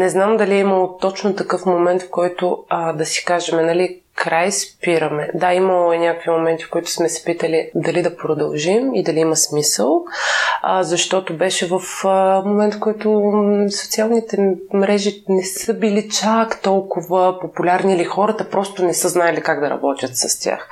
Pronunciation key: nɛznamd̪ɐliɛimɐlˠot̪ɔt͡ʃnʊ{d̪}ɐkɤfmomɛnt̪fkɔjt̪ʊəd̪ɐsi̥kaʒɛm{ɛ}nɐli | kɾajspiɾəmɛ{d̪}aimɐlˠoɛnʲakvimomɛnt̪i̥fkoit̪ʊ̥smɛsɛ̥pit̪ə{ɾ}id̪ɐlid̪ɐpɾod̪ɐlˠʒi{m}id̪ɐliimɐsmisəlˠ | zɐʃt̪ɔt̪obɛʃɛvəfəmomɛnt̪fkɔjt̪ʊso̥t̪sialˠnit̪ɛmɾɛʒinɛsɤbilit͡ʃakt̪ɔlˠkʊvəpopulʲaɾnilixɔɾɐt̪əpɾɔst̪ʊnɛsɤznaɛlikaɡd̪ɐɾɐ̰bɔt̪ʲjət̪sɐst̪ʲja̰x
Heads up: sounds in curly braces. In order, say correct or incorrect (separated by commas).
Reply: incorrect, correct, correct, incorrect, correct